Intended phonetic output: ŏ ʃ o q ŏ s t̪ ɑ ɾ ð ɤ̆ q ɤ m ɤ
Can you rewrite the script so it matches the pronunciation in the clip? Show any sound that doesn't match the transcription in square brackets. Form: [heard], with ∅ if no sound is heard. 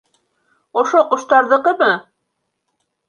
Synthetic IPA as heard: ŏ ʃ o q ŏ [ʃ] t̪ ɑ ɾ ð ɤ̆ q ɤ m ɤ